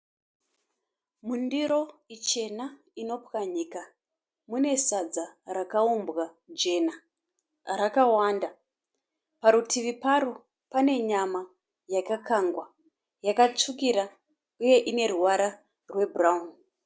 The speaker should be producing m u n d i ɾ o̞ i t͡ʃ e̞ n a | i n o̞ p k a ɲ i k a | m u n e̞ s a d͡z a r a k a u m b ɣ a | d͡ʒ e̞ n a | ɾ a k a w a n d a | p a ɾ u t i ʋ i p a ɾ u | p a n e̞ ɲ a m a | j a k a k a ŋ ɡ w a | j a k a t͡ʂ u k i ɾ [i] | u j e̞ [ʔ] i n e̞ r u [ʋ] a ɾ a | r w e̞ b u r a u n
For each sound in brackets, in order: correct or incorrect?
incorrect: a, correct, incorrect: w

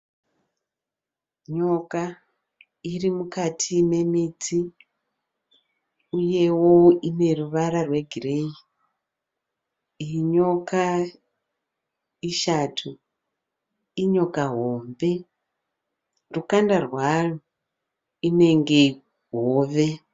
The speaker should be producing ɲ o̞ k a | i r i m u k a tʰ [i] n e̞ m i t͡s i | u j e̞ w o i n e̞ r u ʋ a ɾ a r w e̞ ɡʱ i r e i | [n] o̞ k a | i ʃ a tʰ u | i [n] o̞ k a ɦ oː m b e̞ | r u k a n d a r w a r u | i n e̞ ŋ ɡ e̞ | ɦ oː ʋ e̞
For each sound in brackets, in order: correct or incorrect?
correct, incorrect: ɲ, incorrect: ɲ

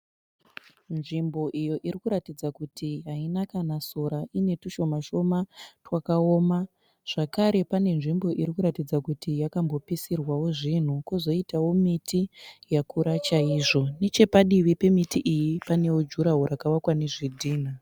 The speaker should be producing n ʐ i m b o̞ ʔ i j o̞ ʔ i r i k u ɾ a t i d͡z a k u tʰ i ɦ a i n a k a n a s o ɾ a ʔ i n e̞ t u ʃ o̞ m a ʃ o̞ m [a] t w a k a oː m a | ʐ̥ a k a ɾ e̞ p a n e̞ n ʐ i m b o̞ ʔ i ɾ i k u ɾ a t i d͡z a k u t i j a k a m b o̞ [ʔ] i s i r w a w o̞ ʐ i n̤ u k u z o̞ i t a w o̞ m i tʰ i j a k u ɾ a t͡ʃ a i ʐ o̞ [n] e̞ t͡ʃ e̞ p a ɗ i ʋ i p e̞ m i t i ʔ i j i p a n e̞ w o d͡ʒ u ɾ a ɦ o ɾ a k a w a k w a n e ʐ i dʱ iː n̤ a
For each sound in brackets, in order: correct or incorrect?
correct, incorrect: p, correct

